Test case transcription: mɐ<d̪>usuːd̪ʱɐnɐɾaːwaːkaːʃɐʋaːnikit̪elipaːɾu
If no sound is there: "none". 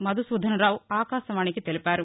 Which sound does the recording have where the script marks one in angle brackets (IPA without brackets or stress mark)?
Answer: d̪